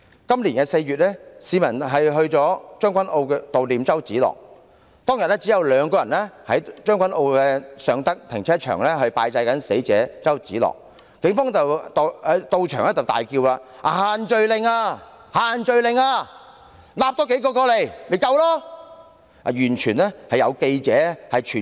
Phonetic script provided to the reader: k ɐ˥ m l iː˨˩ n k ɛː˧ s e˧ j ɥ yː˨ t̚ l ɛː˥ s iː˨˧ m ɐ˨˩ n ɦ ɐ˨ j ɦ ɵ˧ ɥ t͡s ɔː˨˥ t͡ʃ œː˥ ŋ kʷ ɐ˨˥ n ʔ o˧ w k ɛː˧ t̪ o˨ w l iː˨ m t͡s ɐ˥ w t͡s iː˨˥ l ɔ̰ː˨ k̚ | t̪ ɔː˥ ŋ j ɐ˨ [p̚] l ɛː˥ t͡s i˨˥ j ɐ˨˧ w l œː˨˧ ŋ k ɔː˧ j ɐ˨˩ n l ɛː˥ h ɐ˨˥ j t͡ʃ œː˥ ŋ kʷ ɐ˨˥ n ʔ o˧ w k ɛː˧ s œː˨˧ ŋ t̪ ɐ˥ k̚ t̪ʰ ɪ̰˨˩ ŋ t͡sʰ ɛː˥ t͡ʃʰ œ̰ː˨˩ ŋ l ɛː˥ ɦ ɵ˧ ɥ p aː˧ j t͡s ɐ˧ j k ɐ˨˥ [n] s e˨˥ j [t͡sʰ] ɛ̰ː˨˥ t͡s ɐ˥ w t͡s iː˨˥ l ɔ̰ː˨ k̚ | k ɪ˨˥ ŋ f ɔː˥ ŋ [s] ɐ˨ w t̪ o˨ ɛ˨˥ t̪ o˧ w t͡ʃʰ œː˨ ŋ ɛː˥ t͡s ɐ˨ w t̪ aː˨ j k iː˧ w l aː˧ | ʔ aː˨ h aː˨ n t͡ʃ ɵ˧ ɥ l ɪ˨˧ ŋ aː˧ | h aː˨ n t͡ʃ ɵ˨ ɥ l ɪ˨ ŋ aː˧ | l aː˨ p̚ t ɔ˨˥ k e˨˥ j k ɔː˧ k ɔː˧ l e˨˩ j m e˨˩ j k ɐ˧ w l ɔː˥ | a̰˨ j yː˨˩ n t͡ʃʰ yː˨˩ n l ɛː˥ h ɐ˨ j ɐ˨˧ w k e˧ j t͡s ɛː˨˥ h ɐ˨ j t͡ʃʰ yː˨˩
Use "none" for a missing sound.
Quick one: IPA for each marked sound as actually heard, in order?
t̚, n, t͡s, t͡s

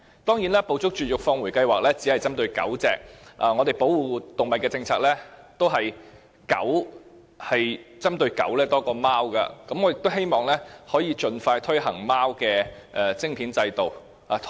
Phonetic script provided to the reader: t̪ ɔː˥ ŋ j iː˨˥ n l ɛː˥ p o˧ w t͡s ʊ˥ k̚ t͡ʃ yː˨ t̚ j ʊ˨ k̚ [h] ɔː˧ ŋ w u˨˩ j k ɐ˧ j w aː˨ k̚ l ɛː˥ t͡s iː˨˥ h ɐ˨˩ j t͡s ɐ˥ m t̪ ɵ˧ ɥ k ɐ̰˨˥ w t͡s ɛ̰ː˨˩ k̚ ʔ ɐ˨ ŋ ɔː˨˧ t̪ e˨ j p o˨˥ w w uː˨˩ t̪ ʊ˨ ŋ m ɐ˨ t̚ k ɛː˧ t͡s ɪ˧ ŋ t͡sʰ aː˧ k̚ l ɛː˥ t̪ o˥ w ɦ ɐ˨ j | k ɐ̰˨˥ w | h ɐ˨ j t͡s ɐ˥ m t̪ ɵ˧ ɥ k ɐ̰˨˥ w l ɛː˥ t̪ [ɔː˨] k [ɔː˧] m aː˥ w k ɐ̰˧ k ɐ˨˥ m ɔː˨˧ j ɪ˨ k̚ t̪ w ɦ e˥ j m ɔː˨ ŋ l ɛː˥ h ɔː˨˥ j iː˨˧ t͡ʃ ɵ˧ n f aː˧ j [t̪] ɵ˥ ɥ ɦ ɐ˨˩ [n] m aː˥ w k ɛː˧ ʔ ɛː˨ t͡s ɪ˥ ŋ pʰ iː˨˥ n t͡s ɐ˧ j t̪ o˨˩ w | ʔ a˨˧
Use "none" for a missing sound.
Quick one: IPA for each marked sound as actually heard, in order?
f, ɔː˥, ɔː˧, t̪ʰ, ŋ

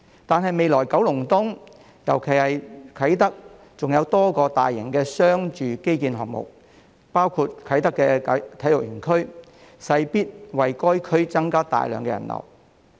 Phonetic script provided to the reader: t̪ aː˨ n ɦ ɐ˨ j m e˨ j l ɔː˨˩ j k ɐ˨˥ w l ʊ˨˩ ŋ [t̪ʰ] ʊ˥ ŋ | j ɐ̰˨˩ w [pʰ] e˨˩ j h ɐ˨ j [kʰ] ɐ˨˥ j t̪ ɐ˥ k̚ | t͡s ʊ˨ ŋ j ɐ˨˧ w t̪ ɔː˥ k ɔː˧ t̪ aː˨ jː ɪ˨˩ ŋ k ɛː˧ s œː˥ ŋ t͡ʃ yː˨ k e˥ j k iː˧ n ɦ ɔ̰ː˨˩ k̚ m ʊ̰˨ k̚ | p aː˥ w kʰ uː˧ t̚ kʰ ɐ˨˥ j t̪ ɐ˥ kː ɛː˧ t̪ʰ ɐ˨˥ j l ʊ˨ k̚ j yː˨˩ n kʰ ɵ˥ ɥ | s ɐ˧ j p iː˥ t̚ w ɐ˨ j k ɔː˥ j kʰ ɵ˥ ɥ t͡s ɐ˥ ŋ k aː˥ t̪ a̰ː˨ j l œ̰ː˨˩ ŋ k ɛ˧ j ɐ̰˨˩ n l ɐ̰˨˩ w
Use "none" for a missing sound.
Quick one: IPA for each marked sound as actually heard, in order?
t̪, kʰ, kʰ

